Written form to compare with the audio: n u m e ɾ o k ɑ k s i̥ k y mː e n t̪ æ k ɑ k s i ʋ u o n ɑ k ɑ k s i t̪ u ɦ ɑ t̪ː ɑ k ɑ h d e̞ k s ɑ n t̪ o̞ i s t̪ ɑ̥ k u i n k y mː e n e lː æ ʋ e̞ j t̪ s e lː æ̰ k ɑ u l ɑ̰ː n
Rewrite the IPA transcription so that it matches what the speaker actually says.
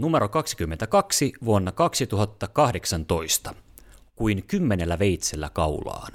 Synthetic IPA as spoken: n u m e ɾ o k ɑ k s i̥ k y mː e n t̪ æ k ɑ k s i ʋ u o nː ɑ k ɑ k s i t̪ u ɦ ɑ t̪ː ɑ k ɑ h d e̞ k s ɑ n t̪ o̞ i s t̪ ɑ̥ k u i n k y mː e n e lː æ ʋ e̞ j t̪ s e lː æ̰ k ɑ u l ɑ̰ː n